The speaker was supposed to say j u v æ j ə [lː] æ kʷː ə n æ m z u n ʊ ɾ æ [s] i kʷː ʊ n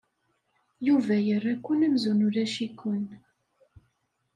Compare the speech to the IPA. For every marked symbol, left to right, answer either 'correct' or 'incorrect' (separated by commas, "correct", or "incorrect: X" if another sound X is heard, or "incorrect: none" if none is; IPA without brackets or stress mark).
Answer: incorrect: rː, incorrect: ʃ